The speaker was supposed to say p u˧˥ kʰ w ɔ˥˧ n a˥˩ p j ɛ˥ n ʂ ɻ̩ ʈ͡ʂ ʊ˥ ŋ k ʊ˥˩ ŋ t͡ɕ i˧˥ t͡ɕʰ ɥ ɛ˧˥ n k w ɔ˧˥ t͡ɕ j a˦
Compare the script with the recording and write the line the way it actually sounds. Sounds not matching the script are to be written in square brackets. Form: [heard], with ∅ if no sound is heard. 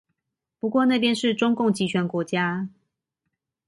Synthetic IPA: p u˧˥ [k] w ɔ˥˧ n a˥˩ p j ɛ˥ n ʂ ɻ̩ ʈ͡ʂ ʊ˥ ŋ k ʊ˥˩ ŋ t͡ɕ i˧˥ t͡ɕʰ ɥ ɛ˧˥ n k w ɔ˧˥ t͡ɕ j a˦